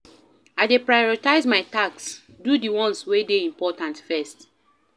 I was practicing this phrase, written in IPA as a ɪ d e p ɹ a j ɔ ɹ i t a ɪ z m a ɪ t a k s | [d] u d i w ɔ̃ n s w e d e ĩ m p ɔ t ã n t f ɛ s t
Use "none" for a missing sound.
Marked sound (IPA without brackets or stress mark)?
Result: d